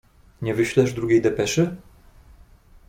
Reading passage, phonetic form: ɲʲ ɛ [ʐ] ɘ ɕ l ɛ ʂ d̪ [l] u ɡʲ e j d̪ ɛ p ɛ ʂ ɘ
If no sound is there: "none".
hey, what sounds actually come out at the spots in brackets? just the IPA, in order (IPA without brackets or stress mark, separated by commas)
v, ɾ